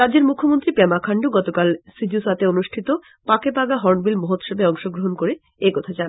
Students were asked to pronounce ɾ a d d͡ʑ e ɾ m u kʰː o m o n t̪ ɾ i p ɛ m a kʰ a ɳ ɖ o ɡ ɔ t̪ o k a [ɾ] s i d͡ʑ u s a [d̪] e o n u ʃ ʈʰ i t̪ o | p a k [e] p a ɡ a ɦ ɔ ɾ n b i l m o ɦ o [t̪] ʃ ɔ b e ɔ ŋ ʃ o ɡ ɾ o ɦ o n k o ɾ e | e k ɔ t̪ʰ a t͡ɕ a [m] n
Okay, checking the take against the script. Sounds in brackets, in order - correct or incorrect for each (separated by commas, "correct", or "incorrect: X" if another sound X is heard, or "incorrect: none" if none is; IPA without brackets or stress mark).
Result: incorrect: l, incorrect: t̪, correct, correct, incorrect: none